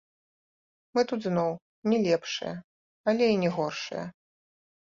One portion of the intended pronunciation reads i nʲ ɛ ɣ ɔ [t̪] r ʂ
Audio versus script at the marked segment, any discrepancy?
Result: yes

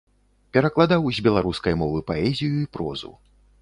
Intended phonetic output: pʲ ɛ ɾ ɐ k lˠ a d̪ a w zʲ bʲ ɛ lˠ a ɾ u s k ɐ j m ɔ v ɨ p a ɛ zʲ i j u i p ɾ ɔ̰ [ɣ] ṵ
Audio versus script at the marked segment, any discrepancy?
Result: yes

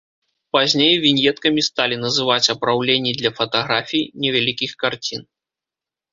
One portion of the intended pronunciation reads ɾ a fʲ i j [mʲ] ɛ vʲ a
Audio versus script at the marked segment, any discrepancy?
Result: yes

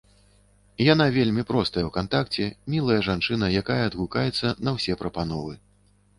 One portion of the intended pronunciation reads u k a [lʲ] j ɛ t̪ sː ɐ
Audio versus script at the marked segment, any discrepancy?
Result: yes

